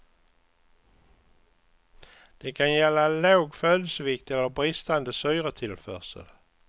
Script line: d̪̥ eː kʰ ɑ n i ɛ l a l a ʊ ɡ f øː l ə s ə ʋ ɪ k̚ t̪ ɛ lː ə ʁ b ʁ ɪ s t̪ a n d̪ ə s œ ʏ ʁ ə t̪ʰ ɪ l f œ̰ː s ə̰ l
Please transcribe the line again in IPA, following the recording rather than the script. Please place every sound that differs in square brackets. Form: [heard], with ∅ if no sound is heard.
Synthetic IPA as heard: d̪̥ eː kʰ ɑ n [j] ɛ l a l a ʊ ɡ f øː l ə s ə ʋ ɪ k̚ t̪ ɛ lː ə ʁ b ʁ ɪ s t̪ a n d̪ ə s œ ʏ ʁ ə t̪ʰ ɪ l f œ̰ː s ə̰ l